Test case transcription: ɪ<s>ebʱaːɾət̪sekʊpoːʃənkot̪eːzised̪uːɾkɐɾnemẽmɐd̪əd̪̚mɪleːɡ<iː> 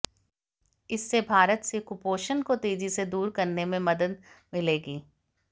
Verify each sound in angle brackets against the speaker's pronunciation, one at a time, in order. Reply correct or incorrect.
incorrect: sː, correct

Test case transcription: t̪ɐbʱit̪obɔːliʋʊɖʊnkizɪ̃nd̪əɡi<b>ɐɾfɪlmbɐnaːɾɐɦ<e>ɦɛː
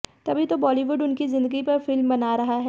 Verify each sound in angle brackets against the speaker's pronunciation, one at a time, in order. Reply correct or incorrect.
incorrect: p, incorrect: a

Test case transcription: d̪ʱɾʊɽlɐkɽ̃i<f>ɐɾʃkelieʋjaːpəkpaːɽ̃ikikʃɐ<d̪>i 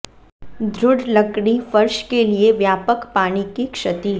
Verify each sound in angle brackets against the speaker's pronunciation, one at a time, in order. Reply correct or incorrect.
correct, incorrect: t̪

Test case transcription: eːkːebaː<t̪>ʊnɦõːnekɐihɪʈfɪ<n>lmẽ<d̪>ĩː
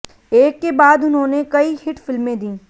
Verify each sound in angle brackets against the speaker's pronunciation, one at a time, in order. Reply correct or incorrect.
incorrect: d̪, incorrect: none, correct

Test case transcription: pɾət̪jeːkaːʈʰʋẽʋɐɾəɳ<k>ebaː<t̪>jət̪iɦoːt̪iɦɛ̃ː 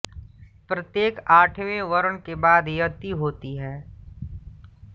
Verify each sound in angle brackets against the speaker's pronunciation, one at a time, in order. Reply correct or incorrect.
correct, incorrect: d̪

